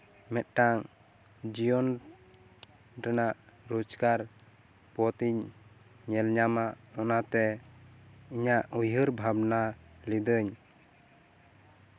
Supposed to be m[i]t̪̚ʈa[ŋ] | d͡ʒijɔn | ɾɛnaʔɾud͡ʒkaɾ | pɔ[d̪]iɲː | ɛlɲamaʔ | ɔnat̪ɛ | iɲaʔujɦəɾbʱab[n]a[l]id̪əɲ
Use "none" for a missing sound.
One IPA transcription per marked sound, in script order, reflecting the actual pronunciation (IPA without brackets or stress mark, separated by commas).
ɛ, ŋ, t̪, n, l